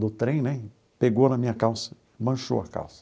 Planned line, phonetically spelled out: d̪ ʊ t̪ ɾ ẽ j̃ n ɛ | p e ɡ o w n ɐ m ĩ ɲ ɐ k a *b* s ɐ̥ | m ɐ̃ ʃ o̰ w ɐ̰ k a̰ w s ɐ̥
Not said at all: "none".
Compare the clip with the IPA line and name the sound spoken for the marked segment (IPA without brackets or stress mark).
w